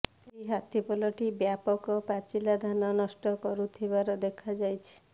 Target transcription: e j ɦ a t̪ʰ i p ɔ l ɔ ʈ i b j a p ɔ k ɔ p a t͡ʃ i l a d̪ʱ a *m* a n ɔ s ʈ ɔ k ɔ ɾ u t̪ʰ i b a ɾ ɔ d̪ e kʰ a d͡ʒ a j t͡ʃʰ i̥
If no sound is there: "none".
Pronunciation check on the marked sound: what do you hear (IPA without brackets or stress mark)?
n